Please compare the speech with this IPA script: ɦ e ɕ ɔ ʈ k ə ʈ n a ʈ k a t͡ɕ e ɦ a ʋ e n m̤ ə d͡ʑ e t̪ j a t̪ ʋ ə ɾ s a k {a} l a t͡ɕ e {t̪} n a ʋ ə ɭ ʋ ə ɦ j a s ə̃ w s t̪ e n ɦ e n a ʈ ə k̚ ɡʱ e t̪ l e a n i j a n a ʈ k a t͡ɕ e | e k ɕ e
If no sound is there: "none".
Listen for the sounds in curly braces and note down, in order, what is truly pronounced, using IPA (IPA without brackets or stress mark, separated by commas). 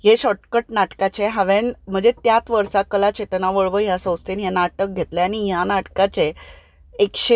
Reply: ə, t̪